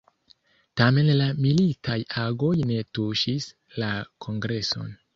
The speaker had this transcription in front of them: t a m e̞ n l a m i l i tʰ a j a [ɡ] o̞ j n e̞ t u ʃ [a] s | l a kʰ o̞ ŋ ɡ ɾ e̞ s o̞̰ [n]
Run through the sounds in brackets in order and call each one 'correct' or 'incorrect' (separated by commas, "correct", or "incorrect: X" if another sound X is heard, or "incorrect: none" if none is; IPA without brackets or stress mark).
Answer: correct, incorrect: i, correct